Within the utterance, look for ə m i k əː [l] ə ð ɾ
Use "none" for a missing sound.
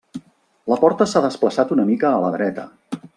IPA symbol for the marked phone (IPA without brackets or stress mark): l